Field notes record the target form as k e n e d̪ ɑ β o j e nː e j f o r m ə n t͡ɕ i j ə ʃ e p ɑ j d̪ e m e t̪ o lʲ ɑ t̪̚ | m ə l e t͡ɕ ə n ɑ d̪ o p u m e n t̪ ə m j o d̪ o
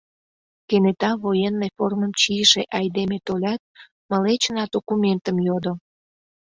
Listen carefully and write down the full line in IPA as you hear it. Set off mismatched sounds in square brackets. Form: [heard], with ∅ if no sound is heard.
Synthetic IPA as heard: k e n e [t̪] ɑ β o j e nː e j f o r m ə [m] t͡ɕ i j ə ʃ e [ʔ] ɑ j d̪ e m e t̪ o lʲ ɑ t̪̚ | m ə l e t͡ɕ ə n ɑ d̪ o [k] u m e n t̪ ə m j o d̪ o

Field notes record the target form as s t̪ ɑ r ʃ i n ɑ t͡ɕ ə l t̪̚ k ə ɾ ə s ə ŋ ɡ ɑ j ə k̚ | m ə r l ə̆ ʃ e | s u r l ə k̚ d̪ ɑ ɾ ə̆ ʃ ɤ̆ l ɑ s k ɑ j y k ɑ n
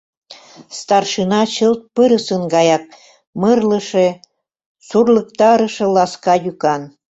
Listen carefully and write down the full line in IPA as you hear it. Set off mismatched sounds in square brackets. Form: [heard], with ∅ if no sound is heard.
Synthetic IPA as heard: s t̪ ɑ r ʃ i n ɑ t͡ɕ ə l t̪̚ [p] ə ɾ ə s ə [n] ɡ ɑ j [ɑ] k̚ | m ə r l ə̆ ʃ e | s u r l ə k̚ [t̪] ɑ ɾ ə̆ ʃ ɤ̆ l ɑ s k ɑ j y k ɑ n

